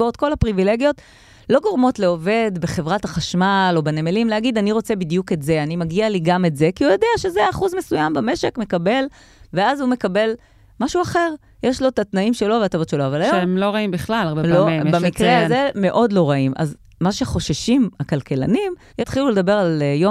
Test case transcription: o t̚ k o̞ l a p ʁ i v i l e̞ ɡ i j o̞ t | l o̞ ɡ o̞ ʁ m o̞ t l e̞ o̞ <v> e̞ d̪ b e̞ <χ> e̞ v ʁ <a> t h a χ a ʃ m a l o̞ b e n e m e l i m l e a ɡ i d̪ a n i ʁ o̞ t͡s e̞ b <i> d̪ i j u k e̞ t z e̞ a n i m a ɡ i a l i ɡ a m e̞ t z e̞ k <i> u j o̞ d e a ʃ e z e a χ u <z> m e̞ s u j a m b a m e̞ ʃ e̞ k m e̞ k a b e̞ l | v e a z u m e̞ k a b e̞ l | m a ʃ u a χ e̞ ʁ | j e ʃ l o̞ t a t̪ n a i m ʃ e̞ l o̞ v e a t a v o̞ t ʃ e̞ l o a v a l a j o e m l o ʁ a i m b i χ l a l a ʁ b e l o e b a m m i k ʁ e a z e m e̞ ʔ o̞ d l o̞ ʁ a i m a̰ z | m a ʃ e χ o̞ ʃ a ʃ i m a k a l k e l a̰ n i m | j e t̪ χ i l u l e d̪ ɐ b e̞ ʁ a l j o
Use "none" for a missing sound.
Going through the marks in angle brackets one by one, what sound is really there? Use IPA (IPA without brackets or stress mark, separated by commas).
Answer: v, χ, a, i, i, z